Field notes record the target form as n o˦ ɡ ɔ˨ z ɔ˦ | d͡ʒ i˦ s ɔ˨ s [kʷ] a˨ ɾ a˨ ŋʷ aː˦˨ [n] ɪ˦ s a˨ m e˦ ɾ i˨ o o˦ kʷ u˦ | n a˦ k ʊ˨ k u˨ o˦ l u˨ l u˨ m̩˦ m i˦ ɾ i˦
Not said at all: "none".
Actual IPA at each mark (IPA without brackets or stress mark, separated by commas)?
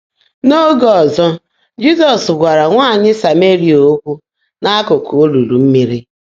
ɡʷ, ɲ